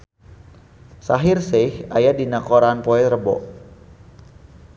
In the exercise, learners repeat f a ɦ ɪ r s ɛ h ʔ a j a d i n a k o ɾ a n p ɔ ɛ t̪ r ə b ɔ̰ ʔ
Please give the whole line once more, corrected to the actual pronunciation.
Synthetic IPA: s a ɦ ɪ r s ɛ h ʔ a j a d i n a k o ɾ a n p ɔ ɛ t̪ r ə b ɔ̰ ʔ